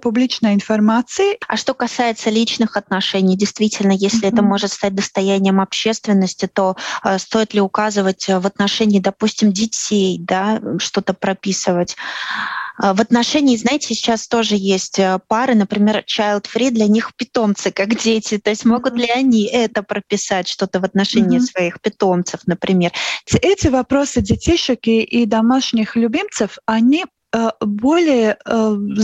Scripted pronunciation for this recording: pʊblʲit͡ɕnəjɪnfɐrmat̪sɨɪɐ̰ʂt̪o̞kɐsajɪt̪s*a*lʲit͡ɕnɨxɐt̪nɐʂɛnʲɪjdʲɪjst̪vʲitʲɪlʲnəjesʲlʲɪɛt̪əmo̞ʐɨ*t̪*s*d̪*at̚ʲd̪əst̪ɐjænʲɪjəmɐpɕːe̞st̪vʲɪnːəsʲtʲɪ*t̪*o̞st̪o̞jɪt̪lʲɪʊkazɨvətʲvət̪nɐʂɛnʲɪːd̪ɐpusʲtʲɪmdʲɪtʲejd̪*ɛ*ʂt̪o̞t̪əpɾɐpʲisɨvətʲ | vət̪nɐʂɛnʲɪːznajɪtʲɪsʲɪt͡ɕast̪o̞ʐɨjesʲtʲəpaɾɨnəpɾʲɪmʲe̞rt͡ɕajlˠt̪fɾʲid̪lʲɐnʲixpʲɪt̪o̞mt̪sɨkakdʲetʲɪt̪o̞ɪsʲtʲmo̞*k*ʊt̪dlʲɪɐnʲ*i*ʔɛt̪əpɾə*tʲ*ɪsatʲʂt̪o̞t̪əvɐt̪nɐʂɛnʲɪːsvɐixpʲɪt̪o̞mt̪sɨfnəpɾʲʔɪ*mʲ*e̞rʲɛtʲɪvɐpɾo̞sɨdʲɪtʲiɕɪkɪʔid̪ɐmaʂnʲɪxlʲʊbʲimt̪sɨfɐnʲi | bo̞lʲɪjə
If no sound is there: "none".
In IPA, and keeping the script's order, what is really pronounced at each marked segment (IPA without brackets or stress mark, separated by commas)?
ə, t̪, t̪, t̪, a, ɡ, i, pʲ, mʲ